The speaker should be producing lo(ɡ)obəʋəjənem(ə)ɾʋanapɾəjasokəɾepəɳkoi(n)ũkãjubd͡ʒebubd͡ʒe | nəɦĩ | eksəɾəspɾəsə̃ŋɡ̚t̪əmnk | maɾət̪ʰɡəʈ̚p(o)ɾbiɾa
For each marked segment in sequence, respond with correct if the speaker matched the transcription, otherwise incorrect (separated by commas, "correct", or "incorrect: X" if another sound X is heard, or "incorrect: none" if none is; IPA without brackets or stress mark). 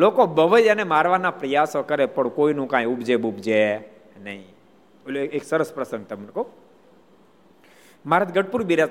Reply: incorrect: k, incorrect: a, correct, incorrect: u